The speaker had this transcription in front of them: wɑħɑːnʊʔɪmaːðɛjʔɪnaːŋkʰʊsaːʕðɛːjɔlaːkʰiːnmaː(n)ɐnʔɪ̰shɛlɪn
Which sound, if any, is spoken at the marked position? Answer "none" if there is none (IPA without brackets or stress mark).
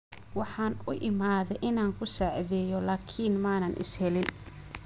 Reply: n